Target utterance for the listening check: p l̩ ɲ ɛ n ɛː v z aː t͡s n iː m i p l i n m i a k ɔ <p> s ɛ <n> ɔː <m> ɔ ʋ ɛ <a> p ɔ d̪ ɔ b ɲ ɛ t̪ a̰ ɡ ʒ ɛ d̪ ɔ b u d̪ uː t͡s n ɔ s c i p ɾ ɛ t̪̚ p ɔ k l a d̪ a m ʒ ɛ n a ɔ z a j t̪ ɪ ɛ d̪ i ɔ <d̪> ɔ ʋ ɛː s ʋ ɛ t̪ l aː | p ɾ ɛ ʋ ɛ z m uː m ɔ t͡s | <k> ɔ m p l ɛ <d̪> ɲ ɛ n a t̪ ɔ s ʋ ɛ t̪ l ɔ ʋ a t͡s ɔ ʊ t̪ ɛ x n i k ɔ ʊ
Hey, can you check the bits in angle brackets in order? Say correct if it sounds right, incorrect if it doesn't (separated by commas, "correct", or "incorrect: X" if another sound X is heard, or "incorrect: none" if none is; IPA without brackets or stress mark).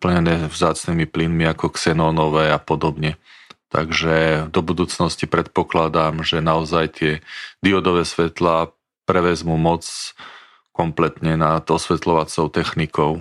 incorrect: k, correct, incorrect: n, correct, correct, correct, incorrect: t̪